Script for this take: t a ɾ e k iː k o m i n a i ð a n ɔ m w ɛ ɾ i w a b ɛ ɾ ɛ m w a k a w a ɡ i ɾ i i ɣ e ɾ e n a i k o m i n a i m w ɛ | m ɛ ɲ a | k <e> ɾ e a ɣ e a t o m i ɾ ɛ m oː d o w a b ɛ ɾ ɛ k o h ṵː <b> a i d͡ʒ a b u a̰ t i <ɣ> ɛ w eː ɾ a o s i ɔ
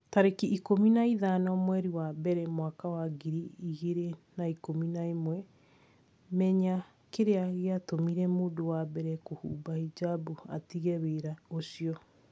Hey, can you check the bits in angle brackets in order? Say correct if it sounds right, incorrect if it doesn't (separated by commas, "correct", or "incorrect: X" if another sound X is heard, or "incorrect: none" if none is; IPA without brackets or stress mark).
correct, correct, correct